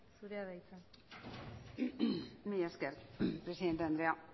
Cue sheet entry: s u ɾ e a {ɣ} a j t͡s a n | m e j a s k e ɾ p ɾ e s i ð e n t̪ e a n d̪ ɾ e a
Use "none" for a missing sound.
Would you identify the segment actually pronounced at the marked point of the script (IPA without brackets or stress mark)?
ð